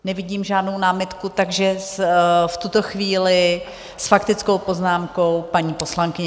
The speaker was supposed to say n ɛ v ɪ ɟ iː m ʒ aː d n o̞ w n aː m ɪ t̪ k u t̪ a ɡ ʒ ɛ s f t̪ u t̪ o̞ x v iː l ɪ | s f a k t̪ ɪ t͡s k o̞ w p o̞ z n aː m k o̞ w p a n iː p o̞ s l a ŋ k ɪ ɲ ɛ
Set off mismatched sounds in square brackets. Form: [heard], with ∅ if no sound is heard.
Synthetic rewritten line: n ɛ v ɪ ɟ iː m ʒ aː d n o̞ w n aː m ɪ t̪ k u t̪ a ɡ ʒ ɛ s f t̪ u t̪ o̞ x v iː l ɪ | s f a k t̪ ɪ t͡s k o̞ w p o̞ z n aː m k o̞ w p a [ɲ] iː p o̞ s l a ŋ k ɪ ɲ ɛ

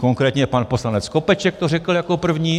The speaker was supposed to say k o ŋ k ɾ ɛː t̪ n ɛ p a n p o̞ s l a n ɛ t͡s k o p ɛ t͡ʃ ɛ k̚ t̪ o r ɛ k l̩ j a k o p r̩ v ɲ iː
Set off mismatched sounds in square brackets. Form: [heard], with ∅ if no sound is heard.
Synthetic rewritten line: k o ŋ k ɾ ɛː t̪ [ɲ] ɛ p a n p o̞ s l a n ɛ t͡s k o p ɛ t͡ʃ ɛ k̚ t̪ o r ɛ k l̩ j a k o p r̩ v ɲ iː

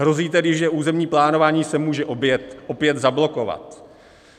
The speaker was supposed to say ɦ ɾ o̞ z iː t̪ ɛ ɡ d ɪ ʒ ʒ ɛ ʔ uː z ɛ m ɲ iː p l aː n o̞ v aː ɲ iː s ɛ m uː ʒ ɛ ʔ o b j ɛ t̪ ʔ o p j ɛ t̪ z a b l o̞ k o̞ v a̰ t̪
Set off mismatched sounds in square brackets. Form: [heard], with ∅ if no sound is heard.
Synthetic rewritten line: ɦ ɾ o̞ z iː t̪ ɛ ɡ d ɪ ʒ ʒ ɛ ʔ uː z ɛ m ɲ iː p l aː n o̞ v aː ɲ iː s ɛ m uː ʒ ɛ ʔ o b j ɛ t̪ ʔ o p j ɛ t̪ z a b l o̞ k o̞ v a̰ t̪

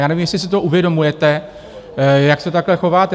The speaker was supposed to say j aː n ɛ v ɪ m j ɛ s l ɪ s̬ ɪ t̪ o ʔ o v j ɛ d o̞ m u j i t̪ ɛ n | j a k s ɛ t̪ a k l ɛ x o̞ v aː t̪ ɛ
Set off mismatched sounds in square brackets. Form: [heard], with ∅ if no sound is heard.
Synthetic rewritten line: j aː n ɛ v [i] m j ɛ s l ɪ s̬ ɪ t̪ o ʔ [u] v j ɛ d o̞ m u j [ɛ] t̪ ɛ [∅] | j a k s ɛ t̪ a k l ɛ x o̞ v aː t̪ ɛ

